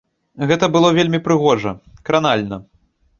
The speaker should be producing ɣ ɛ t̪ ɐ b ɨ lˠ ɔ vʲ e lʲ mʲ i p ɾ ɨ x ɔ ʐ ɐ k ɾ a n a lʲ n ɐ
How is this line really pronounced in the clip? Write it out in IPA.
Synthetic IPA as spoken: ɣ ɛ t̪ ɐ b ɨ lˠ ɔ vʲ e lʲ mʲ i p ɾ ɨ ɣ ɔ ʐ ɐ k ɾ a n a lʲ n ɐ

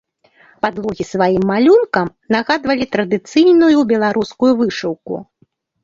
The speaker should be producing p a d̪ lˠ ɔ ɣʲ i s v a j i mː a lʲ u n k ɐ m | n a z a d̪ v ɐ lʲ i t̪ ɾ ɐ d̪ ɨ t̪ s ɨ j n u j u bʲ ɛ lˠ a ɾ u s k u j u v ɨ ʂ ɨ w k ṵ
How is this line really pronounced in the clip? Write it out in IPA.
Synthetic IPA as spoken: p a d̪ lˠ ɔ ɣʲ i s v a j i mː a lʲ u n k ɐ m | n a ɣ a d̪ v ɐ lʲ i t̪ ɾ ɐ d̪ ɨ t̪ s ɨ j n u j u bʲ ɛ lˠ a ɾ u s k u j u v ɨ ʂ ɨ w k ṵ

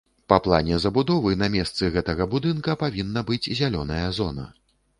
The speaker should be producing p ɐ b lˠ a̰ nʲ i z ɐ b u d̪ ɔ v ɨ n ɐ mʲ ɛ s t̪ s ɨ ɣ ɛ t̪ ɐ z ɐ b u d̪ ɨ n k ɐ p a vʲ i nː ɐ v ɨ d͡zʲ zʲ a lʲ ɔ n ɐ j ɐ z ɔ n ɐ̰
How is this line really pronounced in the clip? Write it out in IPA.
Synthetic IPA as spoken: p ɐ p lˠ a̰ nʲ ɛ z ɐ b u d̪ ɔ v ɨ n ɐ mʲ ɛ s t̪ s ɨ ɣ ɛ t̪ ɐ ɣ ɐ b u d̪ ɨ n k ɐ p a vʲ i nː ɐ b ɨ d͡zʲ zʲ a lʲ ɔ n ɐ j ɐ z ɔ n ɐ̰

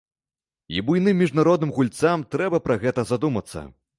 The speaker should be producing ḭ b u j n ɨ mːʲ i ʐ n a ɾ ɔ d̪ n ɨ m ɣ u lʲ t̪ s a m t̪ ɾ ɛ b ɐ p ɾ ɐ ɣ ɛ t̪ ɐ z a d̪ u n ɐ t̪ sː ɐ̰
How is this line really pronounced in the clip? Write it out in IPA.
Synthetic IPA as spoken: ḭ b u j n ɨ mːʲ i ʐ n a ɾ ɔ d̪ n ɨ m ɣ u lʲ t̪ s a m t̪ ɾ ɛ b ɐ p ɾ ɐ ɣ ɛ t̪ ɐ z a d̪ u m ɐ t̪ sː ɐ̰

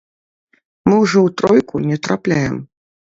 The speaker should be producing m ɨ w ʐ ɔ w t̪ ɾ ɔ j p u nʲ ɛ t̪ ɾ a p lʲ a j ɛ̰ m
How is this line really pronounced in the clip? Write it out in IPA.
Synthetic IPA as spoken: m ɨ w ʐ ɔ w t̪ ɾ ɔ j k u nʲ ɛ t̪ ɾ a p lʲ a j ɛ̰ m

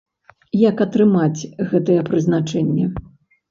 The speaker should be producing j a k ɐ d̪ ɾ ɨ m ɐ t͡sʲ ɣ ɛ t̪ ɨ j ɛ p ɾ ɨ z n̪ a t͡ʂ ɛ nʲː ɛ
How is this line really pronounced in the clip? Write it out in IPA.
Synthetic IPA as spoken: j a k ɐ t̪ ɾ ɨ m a t͡sʲ ɣ ɛ t̪ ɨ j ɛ p ɾ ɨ z n̪ a t͡ʂ ɛ nʲː ɛ

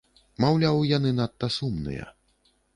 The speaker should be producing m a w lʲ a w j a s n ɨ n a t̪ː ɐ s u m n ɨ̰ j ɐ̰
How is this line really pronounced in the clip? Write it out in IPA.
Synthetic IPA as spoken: m a w lʲ a w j a n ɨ n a t̪ː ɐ s u m n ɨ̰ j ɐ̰

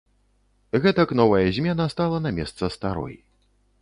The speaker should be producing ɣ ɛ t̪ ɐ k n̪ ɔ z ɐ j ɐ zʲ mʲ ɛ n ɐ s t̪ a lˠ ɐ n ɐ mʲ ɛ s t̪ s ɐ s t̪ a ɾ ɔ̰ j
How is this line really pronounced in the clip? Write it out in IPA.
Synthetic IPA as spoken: ɣ ɛ t̪ ɐ k n̪ ɔ v ɐ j ɐ zʲ mʲ ɛ n ɐ s t̪ a lˠ ɐ n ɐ mʲ ɛ s t̪ s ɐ s t̪ a ɾ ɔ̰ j

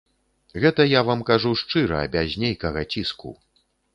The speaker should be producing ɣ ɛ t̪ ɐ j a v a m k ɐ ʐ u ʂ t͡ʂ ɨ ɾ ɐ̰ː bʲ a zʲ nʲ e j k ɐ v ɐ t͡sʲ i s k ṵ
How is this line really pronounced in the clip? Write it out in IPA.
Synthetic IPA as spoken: ɣ ɛ t̪ ɐ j a v a m k a ʐ u ʂ t͡ʂ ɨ ɾ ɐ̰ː bʲ a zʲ nʲ e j k ɐ ɣ ɐ t͡sʲ i s k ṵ

